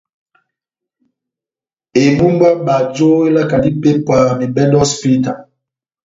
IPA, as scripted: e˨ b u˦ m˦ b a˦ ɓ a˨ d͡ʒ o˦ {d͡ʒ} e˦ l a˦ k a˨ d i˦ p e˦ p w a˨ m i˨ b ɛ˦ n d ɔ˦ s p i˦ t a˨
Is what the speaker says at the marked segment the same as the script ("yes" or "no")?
no